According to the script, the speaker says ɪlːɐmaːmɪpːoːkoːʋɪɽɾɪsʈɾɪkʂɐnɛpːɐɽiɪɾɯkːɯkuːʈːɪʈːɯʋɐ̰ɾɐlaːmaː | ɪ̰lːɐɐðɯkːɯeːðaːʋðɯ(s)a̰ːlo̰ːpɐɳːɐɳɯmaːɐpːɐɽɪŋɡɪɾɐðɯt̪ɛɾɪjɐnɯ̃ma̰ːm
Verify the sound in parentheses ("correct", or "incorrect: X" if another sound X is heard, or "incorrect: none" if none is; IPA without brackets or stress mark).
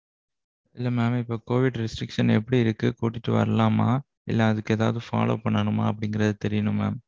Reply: incorrect: f